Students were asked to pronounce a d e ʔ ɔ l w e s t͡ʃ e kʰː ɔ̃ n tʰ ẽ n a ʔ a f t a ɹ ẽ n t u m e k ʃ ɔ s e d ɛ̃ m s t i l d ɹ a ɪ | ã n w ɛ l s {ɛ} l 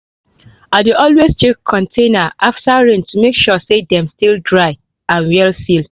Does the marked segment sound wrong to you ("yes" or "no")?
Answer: yes